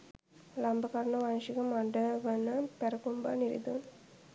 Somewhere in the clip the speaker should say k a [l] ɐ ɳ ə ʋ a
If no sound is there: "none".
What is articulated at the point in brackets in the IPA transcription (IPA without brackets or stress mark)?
ɾ